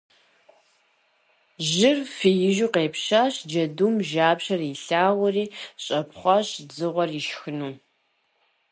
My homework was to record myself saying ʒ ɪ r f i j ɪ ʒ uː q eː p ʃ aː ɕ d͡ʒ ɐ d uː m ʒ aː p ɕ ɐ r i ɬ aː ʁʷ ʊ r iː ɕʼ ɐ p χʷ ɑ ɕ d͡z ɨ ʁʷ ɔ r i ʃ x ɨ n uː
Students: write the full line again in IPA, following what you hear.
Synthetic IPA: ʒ ɪ r f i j ɪ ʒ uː q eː p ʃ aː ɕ d͡ʒ ɐ d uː m ʒ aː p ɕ ɐ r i ɬ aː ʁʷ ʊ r iː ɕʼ ɐ p χʷ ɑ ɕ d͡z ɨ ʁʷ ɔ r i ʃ x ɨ n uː